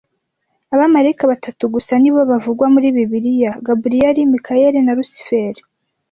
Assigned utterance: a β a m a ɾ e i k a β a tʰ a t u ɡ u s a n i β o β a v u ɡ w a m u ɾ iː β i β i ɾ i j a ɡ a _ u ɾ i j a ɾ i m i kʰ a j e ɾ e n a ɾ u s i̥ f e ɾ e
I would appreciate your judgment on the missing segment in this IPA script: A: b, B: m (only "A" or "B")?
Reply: A